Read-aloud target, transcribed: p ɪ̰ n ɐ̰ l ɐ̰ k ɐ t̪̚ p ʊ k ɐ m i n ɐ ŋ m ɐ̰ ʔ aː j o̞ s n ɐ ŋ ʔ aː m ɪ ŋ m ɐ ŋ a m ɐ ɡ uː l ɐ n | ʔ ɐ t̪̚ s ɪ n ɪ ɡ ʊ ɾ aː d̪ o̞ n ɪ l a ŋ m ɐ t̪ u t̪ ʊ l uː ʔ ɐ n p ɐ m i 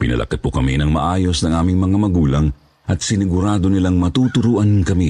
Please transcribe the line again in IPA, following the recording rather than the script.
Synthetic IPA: p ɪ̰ n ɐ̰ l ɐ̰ k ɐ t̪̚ p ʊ k ɐ m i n ɐ ŋ m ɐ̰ ʔ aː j o̞ s n ɐ ŋ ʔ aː m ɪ ŋ m ɐ ŋ a m ɐ ɡ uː l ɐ ŋ | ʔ ɐ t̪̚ s ɪ n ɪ ɡ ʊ ɾ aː d̪ o̞ n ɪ l a ŋ m ɐ t̪ u t̪ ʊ ɾ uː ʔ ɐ n k ɐ m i